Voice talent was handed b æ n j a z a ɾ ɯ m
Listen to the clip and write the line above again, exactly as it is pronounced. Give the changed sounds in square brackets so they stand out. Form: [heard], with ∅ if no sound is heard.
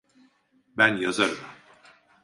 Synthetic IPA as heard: b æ n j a z a ɾ ɯ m